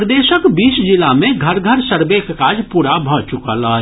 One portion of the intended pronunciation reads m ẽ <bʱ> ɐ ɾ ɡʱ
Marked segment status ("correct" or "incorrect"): incorrect